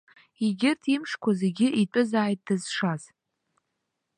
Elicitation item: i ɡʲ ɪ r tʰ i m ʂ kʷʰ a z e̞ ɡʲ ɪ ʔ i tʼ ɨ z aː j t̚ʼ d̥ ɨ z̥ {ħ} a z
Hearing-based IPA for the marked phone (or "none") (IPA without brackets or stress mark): ʂ